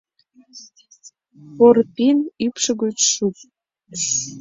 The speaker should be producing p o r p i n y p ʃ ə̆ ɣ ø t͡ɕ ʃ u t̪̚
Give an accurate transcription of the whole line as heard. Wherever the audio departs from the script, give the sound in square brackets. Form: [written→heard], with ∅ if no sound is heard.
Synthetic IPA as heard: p o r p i n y p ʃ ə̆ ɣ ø t͡ɕ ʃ u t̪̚